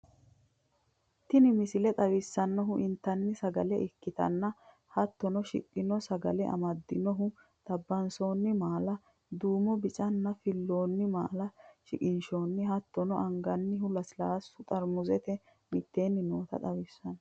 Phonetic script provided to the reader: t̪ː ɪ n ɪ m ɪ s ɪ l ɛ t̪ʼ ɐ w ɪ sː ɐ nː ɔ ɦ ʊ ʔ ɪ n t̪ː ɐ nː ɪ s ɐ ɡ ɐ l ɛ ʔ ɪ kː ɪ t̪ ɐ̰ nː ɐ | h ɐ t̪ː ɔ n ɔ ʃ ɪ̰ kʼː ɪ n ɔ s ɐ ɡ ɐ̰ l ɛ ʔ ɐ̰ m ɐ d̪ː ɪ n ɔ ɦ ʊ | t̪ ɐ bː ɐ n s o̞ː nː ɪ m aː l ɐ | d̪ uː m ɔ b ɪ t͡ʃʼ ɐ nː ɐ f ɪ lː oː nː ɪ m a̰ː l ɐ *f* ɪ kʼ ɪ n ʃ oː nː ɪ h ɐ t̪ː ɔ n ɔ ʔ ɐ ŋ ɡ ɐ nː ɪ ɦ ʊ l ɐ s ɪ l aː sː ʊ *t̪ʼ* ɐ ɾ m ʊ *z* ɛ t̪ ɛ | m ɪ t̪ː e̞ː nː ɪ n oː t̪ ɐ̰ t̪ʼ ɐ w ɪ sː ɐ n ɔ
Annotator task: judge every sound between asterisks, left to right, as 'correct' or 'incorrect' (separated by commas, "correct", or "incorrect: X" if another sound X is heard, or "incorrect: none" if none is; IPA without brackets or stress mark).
incorrect: ʃ, correct, correct